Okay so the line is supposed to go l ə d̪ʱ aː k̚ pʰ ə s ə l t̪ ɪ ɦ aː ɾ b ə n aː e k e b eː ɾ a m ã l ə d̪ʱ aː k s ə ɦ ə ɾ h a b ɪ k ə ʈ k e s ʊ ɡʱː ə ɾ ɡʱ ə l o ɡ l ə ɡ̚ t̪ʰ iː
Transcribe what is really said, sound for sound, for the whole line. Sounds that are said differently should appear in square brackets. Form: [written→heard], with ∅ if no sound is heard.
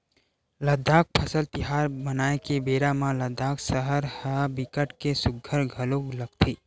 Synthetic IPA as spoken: l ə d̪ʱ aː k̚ pʰ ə s ə l t̪ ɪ ɦ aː ɾ b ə n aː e k e b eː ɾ a m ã l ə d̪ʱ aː k s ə ɦ ə ɾ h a b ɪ k ə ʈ k e s ʊ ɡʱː ə ɾ ɡʱ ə l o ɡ l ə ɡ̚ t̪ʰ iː